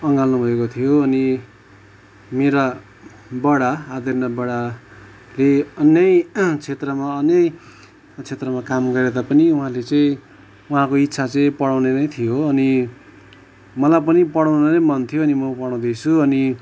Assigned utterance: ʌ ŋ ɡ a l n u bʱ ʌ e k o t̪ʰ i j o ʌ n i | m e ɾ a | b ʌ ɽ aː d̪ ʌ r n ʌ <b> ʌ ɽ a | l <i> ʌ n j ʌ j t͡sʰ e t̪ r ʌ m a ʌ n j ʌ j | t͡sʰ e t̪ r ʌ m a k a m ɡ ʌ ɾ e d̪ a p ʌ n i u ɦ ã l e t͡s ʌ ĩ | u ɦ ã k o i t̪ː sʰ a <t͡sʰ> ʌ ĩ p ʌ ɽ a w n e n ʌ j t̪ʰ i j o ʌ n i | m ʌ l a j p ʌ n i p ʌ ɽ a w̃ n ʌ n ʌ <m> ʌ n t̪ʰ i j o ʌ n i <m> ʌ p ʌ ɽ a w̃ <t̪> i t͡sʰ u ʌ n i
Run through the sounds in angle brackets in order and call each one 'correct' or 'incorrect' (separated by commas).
correct, incorrect, incorrect, correct, correct, incorrect